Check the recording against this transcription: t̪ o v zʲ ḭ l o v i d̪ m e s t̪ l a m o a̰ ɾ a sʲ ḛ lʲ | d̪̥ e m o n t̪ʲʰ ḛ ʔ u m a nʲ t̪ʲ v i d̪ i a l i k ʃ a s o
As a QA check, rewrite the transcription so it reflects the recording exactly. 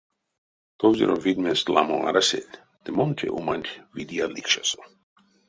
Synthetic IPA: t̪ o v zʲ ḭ ɾ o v i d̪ m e s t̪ l a m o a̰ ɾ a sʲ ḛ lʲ | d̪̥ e m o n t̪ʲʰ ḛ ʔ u m a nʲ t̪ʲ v i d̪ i a l i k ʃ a s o